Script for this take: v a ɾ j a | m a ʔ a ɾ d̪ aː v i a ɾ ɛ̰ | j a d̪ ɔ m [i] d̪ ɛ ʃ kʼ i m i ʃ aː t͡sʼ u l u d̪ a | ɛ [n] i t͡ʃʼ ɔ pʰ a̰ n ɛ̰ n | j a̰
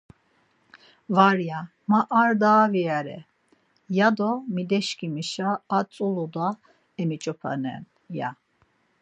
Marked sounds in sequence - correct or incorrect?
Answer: correct, incorrect: m

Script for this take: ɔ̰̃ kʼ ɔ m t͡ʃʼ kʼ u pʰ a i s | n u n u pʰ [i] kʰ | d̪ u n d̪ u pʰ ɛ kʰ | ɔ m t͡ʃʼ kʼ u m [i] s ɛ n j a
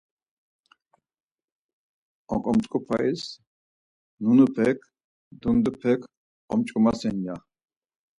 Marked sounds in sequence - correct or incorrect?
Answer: incorrect: ɛ, incorrect: a

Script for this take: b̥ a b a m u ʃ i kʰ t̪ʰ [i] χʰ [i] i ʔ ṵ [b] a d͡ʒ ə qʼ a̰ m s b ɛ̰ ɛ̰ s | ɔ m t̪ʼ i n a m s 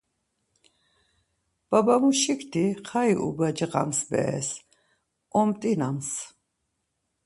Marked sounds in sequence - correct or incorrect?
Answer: correct, incorrect: a, correct

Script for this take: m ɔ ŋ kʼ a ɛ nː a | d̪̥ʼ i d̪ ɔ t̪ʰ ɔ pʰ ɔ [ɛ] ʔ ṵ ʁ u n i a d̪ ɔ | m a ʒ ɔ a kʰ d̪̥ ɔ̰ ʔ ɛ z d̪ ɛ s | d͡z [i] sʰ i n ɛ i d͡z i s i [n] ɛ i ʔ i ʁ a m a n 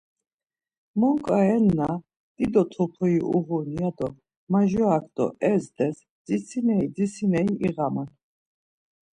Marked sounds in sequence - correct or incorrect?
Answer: incorrect: i, correct, correct

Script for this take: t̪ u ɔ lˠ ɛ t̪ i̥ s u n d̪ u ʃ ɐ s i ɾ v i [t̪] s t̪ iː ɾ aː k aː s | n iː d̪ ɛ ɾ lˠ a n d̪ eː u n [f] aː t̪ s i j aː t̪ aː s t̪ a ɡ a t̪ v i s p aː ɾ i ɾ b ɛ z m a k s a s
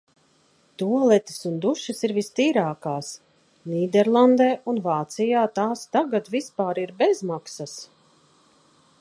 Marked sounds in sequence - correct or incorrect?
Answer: incorrect: none, incorrect: v

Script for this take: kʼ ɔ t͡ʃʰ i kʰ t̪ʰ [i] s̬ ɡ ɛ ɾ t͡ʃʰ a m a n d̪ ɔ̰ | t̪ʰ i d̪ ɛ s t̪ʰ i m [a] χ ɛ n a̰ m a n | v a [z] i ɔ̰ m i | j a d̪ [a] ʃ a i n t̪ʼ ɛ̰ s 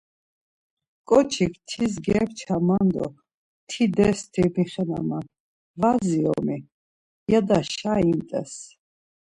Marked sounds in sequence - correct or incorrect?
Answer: correct, incorrect: i, correct, correct

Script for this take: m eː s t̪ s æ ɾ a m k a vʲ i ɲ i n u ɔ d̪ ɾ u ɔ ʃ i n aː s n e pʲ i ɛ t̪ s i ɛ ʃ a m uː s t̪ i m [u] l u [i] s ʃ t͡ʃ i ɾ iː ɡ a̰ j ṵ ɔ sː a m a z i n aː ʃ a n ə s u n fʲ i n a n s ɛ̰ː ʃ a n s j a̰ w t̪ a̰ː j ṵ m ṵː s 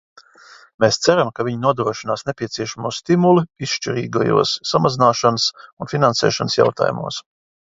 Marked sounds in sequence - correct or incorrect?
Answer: correct, correct

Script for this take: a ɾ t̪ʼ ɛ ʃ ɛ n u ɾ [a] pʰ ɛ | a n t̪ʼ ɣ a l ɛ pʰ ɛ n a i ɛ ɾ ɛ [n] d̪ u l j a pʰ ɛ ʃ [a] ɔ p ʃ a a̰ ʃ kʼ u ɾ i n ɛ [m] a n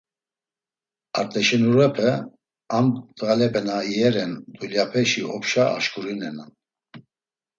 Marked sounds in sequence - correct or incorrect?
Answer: incorrect: ɛ, correct, incorrect: i, incorrect: n

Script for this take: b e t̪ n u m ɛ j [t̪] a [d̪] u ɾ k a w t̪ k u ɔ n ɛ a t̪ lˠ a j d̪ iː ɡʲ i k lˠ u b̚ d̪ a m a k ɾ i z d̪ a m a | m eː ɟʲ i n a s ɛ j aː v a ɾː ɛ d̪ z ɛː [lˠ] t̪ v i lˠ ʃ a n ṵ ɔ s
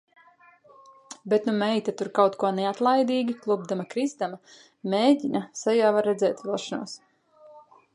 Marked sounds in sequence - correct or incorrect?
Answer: correct, incorrect: t̪, incorrect: none

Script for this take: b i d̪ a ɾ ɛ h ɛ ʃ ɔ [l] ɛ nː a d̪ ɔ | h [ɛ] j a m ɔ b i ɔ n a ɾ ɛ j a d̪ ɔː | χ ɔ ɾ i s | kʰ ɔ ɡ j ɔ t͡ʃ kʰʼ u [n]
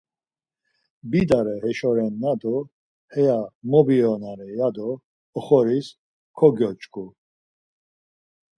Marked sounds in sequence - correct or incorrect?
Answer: incorrect: ɾ, correct, incorrect: none

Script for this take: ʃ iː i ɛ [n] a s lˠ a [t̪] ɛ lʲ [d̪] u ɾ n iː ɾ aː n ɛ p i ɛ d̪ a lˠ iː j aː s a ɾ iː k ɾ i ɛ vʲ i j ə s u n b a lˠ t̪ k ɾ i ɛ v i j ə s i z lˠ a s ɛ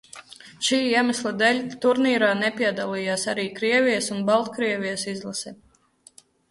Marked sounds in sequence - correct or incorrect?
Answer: incorrect: m, incorrect: d̪, incorrect: t̪

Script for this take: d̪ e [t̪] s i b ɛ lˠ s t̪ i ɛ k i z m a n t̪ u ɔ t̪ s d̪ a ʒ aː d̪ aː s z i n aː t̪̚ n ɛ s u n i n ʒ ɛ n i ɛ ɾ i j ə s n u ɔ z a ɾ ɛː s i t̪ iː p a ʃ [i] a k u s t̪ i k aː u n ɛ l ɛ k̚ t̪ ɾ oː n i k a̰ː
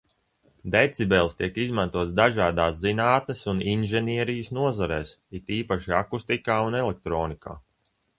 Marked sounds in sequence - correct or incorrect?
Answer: correct, correct

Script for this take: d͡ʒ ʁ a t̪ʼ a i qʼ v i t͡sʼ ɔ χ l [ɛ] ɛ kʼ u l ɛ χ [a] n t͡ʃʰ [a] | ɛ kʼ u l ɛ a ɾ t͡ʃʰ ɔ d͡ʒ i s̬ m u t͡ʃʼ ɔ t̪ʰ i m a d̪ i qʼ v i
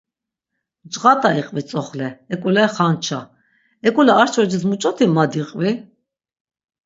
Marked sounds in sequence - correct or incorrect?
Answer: correct, correct, correct

